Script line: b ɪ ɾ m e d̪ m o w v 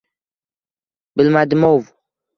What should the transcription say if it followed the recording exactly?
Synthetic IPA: b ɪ l m a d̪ m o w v